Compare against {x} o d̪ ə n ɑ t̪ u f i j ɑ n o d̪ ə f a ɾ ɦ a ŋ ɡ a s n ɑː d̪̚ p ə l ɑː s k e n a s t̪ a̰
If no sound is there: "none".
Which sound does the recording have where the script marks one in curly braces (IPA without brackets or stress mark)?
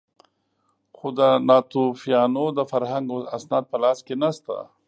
x